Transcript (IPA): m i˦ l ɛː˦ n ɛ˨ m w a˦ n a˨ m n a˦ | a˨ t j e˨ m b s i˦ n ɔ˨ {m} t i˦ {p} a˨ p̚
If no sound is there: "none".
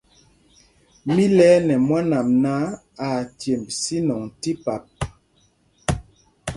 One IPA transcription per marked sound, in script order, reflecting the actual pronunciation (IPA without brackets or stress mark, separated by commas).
ŋ, p